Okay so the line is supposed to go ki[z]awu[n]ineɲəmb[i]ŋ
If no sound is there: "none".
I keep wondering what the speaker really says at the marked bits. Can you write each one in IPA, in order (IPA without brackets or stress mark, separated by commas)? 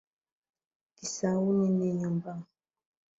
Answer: s, n, a